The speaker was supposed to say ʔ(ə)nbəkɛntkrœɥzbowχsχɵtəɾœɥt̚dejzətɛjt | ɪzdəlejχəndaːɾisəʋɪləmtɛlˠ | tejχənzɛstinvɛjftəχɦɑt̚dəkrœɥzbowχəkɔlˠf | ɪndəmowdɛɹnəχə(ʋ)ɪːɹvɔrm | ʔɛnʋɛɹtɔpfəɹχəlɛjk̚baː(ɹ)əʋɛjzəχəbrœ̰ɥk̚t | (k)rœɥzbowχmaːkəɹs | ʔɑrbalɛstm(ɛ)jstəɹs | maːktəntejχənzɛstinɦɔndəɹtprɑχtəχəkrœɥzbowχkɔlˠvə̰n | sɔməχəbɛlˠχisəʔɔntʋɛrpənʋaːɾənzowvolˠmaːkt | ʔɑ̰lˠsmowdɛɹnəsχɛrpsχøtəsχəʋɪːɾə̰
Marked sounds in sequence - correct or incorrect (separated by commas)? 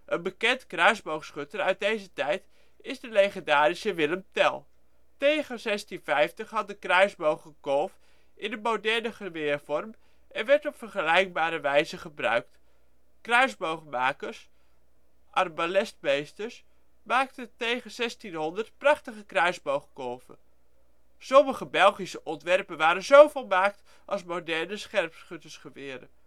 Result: correct, correct, incorrect, correct, incorrect